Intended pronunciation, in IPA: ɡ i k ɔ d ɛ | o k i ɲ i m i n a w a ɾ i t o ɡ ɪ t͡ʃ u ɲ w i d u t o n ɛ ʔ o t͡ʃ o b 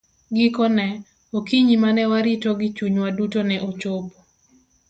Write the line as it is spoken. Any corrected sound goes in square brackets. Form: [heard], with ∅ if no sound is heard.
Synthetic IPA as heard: ɡ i k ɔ [n] ɛ | o k i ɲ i m [a] n [ɛ] w a ɾ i t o ɡ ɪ t͡ʃ u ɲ w [a] d u t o n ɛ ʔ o t͡ʃ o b